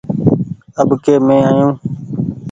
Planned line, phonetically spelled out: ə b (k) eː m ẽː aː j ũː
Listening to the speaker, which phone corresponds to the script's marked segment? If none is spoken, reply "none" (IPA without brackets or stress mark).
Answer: k